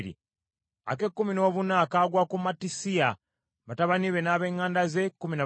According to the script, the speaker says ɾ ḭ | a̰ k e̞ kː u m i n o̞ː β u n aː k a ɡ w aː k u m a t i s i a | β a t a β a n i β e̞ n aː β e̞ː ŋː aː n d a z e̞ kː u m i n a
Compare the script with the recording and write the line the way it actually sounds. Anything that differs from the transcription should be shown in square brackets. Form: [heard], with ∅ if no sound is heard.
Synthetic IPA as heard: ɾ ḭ | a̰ k e̞ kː u m i n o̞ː β u n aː k a ɡ w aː k u m a t i s i a | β a t a β a n i β e̞ n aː β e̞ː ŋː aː n d a z e̞ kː u m i n a